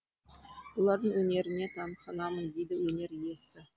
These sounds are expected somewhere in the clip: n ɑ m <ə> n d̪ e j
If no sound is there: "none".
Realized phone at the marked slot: ə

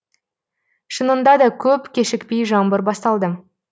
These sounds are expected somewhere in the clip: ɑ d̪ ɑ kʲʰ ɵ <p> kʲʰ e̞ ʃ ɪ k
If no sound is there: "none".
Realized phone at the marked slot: p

